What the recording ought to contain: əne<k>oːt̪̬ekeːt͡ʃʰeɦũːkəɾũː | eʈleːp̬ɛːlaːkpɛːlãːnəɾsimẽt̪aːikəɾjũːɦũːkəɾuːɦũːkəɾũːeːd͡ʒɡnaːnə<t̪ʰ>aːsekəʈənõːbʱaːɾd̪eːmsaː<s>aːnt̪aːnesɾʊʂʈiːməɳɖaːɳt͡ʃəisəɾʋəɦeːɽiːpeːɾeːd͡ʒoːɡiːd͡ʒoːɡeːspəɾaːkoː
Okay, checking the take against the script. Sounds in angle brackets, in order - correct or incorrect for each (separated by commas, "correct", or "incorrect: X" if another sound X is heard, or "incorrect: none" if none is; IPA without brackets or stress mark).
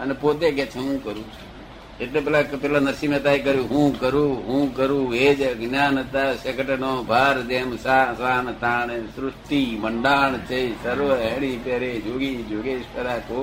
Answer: incorrect: p, incorrect: t̪, correct